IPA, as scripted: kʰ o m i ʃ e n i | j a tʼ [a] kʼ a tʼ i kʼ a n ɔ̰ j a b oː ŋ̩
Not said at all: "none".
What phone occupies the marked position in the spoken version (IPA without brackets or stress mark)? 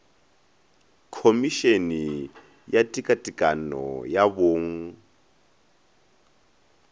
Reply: i